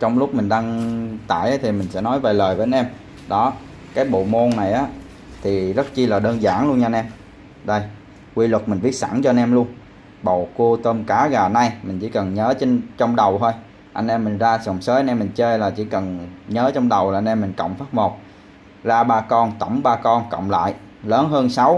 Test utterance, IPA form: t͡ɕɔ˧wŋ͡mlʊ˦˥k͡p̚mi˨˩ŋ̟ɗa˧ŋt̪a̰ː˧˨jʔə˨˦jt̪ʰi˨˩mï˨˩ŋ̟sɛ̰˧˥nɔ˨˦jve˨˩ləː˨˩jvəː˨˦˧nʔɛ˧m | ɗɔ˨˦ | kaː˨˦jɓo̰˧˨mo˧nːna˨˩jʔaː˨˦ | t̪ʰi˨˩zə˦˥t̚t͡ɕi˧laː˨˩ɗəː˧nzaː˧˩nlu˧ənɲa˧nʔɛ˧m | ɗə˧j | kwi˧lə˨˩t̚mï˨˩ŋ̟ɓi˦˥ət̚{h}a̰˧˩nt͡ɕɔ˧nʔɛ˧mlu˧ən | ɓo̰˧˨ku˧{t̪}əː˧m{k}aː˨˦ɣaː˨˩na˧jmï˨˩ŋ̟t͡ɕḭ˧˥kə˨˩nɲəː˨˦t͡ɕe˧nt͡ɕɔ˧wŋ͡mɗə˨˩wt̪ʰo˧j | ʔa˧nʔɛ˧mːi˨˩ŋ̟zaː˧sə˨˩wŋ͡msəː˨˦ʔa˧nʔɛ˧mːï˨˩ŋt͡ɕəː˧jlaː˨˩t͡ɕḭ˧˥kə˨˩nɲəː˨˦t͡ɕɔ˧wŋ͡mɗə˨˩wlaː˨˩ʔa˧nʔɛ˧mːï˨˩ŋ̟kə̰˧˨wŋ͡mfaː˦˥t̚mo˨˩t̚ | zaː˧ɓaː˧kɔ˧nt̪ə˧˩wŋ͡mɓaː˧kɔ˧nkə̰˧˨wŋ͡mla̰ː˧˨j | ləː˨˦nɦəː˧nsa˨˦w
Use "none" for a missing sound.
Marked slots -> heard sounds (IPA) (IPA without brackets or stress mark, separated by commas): s, t̪, k